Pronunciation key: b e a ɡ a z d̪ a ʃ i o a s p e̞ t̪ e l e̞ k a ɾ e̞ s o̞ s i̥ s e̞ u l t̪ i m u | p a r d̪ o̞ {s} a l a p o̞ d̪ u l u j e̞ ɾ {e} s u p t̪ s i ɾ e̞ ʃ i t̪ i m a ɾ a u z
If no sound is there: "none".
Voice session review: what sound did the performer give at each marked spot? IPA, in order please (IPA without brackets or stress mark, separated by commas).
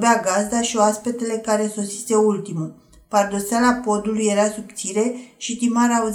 s, a